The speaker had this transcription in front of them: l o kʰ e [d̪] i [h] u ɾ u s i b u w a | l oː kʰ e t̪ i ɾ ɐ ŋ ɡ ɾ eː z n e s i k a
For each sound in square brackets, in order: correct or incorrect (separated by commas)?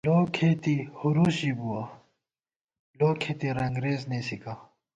incorrect, correct